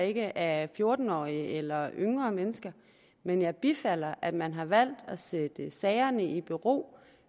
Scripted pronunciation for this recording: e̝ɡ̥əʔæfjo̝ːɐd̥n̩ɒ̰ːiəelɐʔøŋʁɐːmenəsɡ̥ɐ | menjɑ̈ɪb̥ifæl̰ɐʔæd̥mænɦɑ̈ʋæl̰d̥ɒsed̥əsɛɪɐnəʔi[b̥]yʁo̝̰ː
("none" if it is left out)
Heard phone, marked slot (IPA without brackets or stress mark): b̥